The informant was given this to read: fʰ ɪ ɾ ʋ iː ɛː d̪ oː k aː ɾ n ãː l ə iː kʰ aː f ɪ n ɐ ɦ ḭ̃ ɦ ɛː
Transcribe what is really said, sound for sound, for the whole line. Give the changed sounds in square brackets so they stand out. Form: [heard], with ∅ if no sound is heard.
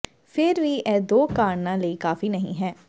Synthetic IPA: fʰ ɪ ɾ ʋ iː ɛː d̪ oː k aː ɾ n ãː l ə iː [k] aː f [i] n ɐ ɦ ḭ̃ ɦ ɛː